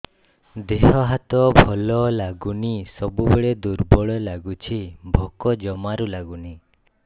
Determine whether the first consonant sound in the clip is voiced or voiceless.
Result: voiced